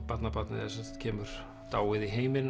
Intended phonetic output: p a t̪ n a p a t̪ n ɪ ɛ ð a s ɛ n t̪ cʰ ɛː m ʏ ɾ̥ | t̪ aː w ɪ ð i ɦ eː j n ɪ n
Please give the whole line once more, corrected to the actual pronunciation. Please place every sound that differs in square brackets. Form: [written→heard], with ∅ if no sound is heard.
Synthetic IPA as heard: p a t̪ n a p a t̪ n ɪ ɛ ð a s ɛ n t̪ cʰ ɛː m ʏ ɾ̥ | t̪ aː w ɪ ð i ɦ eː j [n→m] ɪ n